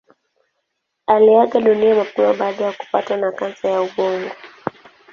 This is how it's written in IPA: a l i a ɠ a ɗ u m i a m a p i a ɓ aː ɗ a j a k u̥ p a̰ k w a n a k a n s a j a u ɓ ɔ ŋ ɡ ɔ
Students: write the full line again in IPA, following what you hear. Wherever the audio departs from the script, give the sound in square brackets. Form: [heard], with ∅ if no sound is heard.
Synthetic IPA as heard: a l i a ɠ a ɗ u [n] i a m a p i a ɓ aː ɗ a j a k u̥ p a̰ [t] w a n a k a n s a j a u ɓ ɔ ŋ ɡ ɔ